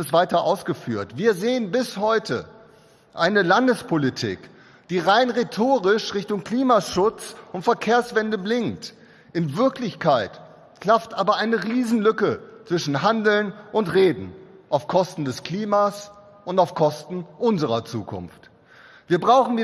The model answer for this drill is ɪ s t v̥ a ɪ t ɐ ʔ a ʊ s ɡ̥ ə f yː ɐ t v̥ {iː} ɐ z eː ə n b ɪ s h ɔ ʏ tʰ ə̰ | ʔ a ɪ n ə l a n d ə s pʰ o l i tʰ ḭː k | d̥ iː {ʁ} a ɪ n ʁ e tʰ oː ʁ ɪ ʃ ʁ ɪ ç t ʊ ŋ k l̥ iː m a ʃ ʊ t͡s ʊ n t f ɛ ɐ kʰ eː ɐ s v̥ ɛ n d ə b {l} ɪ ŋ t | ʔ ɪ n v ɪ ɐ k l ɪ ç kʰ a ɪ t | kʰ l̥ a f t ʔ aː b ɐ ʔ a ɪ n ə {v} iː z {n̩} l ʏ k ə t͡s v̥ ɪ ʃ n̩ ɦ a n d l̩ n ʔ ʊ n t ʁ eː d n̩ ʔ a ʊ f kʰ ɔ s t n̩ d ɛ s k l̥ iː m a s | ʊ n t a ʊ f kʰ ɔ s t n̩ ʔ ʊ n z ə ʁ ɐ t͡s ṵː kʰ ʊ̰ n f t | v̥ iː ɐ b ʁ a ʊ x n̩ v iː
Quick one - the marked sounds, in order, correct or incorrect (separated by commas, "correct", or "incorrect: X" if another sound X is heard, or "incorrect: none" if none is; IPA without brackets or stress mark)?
correct, correct, correct, incorrect: ʁ, correct